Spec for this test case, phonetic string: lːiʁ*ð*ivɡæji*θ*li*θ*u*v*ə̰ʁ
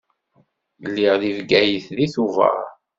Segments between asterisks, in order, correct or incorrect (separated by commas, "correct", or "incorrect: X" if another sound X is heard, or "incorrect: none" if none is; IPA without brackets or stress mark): correct, correct, correct, correct